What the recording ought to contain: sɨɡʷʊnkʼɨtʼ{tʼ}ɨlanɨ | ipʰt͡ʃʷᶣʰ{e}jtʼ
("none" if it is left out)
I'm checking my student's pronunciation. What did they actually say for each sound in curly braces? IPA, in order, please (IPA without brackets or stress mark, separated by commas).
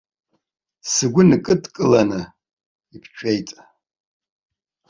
kʼ, e